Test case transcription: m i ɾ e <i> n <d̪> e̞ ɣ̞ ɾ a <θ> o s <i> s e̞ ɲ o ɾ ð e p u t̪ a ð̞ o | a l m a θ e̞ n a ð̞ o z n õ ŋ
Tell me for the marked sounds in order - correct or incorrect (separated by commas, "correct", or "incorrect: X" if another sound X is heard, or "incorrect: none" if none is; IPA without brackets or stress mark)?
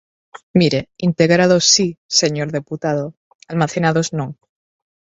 correct, incorrect: t̪, incorrect: ð, correct